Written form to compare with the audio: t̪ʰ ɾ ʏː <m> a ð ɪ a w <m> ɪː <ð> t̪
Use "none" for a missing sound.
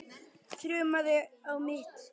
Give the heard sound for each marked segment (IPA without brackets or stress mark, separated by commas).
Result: m, m, none